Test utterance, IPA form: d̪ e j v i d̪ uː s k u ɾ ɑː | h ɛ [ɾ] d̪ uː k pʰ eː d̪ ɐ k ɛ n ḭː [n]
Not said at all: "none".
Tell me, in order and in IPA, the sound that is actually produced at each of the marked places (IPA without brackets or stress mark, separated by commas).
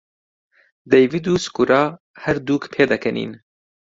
ɾ, n